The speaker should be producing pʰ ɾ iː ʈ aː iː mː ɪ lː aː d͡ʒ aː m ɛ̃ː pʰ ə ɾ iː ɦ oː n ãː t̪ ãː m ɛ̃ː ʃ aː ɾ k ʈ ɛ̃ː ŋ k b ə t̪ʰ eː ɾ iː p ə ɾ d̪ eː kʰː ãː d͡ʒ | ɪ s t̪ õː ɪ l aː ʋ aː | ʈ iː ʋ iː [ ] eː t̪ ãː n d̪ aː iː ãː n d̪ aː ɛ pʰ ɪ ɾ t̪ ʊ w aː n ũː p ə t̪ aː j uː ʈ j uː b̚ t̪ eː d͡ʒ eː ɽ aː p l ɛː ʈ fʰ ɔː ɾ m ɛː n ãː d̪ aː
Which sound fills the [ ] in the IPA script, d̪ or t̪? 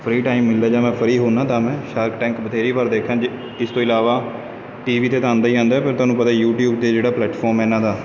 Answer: t̪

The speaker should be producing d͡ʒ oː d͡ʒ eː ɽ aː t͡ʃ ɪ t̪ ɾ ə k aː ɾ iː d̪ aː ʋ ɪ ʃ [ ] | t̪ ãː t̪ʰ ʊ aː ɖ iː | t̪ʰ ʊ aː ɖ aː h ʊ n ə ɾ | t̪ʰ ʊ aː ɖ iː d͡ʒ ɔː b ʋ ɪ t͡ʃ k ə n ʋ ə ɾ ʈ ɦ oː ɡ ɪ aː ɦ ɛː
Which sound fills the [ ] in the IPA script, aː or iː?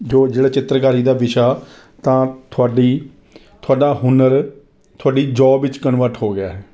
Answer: aː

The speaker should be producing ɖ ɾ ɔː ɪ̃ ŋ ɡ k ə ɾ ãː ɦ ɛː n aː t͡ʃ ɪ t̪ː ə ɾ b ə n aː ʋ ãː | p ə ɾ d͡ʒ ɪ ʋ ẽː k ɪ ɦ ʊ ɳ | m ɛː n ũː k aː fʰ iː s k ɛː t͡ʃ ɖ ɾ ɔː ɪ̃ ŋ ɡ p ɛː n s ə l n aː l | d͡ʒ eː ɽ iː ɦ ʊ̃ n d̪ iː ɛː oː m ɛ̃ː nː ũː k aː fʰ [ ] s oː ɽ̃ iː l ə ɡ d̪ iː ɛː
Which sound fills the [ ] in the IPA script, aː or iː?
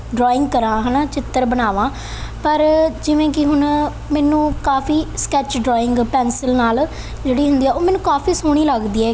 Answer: iː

